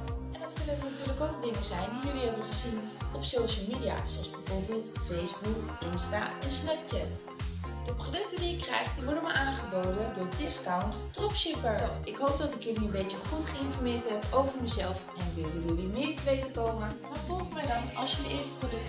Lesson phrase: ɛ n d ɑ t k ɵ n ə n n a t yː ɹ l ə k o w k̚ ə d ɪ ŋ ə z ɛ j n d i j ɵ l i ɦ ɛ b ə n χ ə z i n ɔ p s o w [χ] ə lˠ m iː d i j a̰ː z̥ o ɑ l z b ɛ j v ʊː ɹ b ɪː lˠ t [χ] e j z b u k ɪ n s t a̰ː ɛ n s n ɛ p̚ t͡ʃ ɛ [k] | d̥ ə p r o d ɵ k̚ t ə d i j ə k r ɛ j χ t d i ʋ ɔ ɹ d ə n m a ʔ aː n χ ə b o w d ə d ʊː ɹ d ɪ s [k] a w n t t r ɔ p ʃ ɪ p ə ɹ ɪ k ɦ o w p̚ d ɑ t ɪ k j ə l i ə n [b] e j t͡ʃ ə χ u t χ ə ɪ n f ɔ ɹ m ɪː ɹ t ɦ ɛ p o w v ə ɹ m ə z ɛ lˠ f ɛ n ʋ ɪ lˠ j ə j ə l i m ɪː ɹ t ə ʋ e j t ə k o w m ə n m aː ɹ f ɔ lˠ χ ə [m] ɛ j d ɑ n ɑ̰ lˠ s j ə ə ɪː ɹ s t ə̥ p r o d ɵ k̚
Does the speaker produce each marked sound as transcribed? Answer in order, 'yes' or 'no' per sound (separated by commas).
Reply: no, no, no, yes, yes, yes